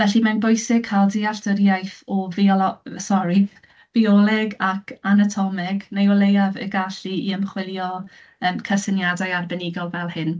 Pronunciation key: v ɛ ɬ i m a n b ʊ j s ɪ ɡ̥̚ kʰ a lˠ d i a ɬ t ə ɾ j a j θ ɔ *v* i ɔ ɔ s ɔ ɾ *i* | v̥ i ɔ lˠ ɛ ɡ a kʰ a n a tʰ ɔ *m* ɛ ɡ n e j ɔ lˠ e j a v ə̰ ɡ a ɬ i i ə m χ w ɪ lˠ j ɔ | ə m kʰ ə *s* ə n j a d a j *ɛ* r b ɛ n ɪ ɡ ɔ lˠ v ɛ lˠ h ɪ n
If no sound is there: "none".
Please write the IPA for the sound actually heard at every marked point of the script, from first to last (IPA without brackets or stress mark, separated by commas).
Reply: v, i, m, s, a